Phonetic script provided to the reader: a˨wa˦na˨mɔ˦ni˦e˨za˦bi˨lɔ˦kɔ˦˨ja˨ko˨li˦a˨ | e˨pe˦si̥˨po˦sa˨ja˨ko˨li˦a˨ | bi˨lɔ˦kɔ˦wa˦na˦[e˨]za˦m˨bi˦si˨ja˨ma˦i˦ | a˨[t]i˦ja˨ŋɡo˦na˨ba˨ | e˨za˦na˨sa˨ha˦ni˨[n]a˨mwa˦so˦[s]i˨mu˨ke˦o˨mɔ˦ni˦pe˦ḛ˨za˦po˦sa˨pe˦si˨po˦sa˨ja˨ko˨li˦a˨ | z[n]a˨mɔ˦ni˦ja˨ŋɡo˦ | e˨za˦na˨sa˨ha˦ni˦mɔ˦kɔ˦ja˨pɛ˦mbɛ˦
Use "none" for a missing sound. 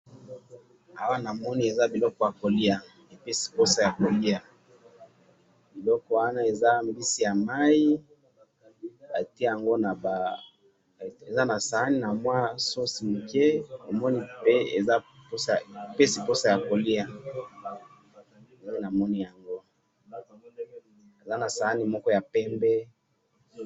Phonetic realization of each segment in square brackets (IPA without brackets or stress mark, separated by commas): e˨, t, n, s, n